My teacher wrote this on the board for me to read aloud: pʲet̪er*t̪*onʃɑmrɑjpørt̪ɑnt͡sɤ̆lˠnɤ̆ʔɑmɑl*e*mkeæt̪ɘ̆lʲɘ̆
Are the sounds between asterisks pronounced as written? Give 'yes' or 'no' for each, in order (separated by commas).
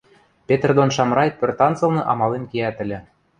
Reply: no, yes